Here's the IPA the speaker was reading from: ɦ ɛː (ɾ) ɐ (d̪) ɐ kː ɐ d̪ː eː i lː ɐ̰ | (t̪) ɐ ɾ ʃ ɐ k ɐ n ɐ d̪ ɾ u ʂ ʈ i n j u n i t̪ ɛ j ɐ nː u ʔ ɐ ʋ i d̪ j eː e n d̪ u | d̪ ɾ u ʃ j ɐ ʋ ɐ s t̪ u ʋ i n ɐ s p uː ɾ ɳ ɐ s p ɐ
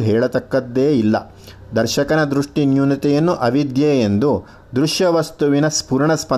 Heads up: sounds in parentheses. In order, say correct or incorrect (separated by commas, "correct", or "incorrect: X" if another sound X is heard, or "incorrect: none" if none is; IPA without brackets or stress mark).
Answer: incorrect: ɭ, incorrect: t̪, incorrect: d̪